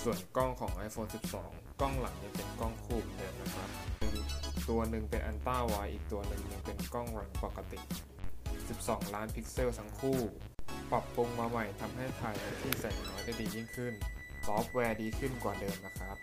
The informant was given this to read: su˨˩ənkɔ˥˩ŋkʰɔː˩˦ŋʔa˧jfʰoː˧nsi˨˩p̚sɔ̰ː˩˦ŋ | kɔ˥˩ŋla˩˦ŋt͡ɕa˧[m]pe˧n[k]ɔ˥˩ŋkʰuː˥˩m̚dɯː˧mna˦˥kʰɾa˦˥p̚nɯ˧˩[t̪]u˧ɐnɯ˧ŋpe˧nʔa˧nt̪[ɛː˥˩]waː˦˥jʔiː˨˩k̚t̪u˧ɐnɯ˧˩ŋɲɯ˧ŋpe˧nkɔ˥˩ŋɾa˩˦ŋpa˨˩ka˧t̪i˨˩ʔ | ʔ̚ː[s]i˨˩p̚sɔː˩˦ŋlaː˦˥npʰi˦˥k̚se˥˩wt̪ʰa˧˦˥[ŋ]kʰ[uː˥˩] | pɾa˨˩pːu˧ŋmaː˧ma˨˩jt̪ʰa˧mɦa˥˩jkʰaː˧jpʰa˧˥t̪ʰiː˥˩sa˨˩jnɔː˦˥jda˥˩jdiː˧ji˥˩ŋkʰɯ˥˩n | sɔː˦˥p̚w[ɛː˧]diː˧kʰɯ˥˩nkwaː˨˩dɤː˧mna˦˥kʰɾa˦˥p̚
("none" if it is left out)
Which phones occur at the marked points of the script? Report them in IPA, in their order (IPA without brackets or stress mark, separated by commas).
ŋ, k, t̪, aː˥˩, s, ŋ, uː˥˩, ɛː˧